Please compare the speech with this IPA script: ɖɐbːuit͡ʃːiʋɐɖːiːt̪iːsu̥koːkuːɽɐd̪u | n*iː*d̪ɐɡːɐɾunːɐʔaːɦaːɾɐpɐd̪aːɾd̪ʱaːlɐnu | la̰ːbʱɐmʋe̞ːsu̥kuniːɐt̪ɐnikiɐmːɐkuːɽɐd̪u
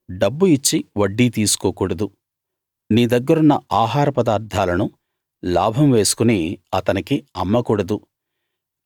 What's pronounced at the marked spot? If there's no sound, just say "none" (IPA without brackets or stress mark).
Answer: iː